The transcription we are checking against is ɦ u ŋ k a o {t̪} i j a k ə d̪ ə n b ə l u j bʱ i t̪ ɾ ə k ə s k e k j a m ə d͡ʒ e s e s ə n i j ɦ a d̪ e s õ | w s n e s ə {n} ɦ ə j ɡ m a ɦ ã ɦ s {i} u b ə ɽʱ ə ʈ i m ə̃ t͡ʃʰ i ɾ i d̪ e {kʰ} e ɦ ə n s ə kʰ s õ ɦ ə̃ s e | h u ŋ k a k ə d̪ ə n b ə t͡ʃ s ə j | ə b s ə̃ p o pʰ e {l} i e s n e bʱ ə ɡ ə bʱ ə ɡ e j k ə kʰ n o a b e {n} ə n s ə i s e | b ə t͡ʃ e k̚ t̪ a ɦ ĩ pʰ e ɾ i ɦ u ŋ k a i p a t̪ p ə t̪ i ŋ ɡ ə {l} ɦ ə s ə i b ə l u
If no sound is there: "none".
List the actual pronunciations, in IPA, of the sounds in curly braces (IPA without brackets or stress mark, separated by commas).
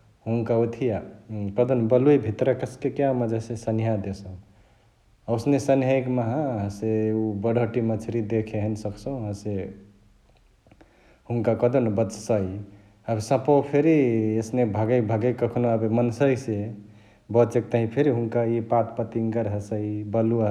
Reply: t̪ʰ, n, e, kʰ, ɾ, m, ɾ